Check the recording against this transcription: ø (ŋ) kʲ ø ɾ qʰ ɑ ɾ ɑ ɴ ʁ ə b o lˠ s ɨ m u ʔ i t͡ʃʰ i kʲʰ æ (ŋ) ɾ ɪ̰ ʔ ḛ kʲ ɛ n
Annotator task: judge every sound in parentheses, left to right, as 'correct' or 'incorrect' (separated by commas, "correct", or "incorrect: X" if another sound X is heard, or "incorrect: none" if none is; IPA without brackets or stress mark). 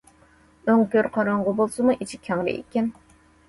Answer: correct, correct